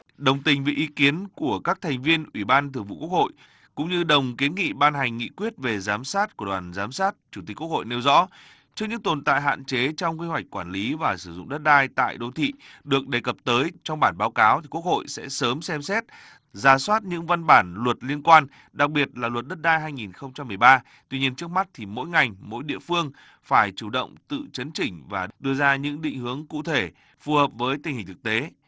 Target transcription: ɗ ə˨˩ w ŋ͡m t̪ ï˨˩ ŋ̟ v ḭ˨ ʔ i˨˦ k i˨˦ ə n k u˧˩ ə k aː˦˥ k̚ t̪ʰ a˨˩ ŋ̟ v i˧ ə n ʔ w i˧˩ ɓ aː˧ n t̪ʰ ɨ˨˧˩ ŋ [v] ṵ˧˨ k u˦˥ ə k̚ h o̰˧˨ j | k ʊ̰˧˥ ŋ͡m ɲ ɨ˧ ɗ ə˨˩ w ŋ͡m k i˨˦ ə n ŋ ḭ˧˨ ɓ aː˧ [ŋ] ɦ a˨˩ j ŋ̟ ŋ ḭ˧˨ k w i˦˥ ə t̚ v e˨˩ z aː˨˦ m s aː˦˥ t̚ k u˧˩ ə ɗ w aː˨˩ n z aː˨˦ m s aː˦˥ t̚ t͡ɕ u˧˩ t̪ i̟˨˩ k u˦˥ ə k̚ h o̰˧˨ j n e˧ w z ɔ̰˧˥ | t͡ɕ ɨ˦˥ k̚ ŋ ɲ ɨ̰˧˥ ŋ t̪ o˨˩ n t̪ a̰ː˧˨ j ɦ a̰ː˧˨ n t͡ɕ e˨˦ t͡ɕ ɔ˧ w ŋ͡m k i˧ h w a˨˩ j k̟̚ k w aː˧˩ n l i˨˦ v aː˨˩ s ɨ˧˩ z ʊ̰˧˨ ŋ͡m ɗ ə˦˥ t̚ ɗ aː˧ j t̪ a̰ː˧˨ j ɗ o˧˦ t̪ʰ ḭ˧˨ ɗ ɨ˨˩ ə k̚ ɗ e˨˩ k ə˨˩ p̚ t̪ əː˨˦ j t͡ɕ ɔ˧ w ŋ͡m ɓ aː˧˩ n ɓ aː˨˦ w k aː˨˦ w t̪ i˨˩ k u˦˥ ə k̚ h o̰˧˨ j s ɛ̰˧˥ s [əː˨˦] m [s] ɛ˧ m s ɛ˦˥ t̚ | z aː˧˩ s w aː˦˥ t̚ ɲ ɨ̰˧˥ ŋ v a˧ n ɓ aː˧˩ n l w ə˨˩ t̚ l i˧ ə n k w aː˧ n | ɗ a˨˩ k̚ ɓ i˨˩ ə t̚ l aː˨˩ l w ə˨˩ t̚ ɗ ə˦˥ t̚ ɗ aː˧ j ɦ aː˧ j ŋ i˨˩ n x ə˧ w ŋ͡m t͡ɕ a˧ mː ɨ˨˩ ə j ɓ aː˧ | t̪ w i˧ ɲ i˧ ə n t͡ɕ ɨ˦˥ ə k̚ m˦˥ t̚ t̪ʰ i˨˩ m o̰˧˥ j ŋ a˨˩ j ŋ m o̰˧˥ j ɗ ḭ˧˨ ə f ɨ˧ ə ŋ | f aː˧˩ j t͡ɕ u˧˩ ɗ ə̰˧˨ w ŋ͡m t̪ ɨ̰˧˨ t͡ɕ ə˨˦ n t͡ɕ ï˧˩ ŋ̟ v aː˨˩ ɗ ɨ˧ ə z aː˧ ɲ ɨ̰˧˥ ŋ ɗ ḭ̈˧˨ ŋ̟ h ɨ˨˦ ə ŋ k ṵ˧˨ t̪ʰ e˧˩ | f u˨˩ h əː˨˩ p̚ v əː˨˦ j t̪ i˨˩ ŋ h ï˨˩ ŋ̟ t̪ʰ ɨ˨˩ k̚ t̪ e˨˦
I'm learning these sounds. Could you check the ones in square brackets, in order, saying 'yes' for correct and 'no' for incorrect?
yes, no, yes, yes

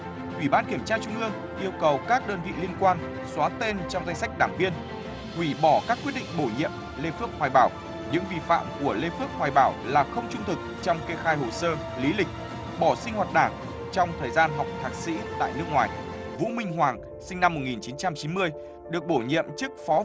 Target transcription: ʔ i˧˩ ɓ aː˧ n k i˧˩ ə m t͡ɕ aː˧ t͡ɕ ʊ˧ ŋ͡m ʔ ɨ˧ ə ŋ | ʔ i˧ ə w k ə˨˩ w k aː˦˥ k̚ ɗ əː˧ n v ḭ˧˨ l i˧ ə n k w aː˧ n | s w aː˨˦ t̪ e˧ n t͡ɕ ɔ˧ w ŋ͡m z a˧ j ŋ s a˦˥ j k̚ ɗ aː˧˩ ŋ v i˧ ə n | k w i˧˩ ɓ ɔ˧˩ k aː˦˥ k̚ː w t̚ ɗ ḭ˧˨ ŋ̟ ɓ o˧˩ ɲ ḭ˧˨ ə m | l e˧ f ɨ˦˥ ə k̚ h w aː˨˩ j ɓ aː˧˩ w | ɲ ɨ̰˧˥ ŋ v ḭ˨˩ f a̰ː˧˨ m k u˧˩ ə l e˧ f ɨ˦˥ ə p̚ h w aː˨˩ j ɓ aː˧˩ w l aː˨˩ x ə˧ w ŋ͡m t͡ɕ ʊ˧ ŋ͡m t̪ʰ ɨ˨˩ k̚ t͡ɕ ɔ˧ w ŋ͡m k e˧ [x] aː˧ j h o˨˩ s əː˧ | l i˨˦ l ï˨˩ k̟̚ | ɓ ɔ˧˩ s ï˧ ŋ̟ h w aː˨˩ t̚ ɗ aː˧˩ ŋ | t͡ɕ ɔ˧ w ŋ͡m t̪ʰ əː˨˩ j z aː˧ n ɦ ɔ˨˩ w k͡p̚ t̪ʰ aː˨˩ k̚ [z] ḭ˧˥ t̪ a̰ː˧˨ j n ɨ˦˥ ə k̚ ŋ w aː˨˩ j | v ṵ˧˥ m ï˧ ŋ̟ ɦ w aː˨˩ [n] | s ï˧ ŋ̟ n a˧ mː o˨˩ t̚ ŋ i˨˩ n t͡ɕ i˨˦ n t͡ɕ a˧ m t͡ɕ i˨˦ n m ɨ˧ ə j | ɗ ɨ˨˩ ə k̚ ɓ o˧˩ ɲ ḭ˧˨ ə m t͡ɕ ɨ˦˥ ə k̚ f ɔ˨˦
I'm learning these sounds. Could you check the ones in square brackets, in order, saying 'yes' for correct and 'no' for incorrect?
yes, no, no

